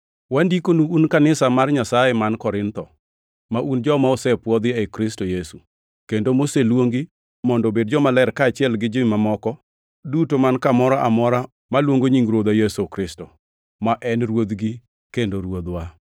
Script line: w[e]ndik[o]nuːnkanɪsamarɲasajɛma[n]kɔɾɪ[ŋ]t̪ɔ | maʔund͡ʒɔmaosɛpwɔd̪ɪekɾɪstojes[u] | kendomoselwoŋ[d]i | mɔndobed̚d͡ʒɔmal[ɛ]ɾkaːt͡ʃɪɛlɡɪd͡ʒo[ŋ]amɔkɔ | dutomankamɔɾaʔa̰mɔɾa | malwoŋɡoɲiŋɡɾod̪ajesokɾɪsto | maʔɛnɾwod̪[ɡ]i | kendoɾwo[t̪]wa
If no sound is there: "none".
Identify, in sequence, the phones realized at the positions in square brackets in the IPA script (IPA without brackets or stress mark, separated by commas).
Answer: a, o, n, n, u, ɡ, ɛ, m, ɡ, d̪